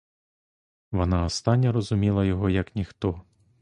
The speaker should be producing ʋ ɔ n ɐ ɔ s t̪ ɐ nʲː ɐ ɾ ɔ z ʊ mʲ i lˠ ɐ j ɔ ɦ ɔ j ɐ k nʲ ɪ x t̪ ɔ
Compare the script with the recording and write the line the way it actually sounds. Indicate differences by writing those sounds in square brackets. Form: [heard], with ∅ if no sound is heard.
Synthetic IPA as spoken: ʋ ɔ n [ɑ] ɔ s t̪ [ɑ] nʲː ɐ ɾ ɔ z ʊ mʲ i lˠ ɐ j ɔ ɦ ɔ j ɐ k nʲ [i] x t̪ ɔ